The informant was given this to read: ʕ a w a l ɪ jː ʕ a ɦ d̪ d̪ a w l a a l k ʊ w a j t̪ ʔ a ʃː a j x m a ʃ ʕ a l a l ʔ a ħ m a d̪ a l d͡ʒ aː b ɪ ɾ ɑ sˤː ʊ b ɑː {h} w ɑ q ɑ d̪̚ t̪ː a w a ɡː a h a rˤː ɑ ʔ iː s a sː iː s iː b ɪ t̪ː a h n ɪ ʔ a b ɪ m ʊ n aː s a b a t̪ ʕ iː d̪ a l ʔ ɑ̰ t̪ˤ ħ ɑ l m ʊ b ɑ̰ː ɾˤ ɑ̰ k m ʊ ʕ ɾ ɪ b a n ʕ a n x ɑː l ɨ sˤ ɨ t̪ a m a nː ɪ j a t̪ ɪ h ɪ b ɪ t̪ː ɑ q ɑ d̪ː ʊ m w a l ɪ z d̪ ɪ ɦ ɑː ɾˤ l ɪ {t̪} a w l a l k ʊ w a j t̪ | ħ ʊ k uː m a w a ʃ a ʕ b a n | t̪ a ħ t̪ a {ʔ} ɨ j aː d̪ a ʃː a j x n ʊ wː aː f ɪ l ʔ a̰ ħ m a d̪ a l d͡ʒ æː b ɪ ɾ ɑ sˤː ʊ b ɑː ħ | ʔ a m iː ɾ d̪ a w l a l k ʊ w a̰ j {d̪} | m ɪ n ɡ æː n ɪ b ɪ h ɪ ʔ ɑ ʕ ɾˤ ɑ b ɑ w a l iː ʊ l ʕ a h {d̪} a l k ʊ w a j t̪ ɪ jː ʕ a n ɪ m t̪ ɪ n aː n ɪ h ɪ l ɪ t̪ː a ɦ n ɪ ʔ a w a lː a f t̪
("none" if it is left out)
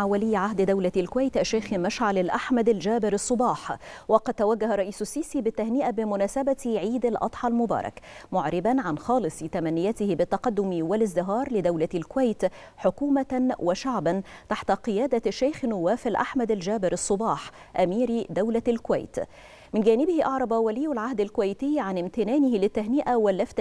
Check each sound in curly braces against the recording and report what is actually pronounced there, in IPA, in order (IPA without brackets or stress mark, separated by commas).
ħ, d̪, q, t̪, d̪